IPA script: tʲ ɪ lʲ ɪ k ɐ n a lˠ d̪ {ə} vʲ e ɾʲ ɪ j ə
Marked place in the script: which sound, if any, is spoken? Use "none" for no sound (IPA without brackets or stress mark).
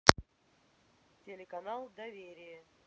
ɐ